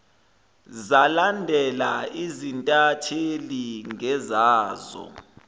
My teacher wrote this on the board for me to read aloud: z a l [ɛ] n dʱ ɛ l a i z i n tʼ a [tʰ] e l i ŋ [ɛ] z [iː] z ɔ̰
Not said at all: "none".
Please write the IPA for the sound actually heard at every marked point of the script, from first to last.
a, tʰ, ɛ, aː

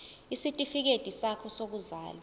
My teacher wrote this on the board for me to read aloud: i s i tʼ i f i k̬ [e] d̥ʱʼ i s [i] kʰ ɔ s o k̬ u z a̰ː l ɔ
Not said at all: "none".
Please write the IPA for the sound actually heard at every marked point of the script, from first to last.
e, a

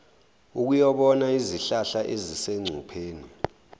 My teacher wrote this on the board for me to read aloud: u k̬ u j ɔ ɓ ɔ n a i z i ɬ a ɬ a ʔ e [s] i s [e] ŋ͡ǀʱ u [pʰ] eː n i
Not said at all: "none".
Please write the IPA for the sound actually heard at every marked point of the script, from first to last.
z, e, pʰ

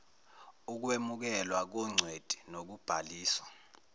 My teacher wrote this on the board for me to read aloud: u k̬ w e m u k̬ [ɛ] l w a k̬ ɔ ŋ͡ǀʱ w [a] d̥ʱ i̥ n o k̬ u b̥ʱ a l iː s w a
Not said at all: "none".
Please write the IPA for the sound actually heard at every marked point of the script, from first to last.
ɛ, e

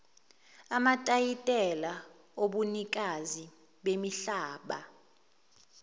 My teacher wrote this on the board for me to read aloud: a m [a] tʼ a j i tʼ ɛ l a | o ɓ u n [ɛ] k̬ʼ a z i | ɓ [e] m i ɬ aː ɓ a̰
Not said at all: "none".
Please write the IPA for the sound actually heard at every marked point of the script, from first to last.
a, i, e

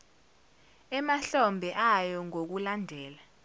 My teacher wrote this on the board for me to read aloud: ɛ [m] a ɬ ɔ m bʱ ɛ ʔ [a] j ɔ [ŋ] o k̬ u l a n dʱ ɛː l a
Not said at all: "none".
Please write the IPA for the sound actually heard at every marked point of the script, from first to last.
m, a, ŋ

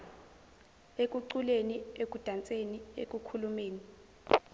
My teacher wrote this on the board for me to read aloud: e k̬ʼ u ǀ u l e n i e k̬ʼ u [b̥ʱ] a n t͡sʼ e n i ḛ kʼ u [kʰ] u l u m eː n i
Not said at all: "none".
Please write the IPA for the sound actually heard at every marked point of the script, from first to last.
d̥ʱ, kʰ

